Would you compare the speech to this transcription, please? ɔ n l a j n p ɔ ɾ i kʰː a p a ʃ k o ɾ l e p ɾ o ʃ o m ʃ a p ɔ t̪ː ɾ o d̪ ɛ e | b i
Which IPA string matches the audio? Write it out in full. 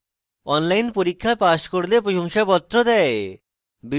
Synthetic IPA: ɔ n l a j n p o ɾ i kʰː a p a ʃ k o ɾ l e p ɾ o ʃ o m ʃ a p ɔ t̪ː ɾ o d̪ ɛ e | b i